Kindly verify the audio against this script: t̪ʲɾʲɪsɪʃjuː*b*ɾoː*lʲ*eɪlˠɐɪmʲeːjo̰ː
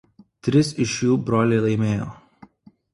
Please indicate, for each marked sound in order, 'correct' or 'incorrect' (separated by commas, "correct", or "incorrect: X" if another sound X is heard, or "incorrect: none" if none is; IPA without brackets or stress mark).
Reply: correct, correct